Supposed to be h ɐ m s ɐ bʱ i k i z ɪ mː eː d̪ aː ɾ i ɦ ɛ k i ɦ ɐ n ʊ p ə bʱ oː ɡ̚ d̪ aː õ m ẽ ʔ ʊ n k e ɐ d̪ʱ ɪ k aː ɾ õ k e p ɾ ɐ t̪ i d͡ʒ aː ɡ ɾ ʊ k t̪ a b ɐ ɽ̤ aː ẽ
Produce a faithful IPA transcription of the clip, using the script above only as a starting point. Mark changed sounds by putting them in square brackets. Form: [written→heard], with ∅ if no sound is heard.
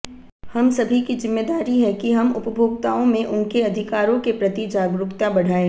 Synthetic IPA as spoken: h ɐ m s ɐ bʱ i k i z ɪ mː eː d̪ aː ɾ i ɦ ɛ k i ɦ ɐ [n→m] ʊ p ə bʱ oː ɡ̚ [d̪→t̪] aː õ m ẽ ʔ ʊ n k e ɐ d̪ʱ ɪ k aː ɾ õ k e p ɾ ɐ t̪ i d͡ʒ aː ɡ ɾ ʊ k t̪ a b ɐ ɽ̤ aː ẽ